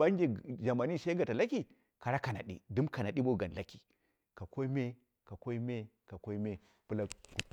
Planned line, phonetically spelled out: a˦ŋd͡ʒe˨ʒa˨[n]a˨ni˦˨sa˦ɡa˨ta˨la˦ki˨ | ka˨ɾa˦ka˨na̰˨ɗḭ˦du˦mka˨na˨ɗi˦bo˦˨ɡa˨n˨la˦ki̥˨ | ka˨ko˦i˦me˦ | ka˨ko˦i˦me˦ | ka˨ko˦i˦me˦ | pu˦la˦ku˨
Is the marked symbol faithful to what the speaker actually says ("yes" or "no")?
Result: no